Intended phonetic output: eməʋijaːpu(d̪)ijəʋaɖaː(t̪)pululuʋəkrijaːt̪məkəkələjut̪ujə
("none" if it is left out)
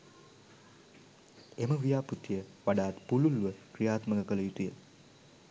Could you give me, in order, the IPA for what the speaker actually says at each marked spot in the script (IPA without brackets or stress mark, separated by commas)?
t̪, t̪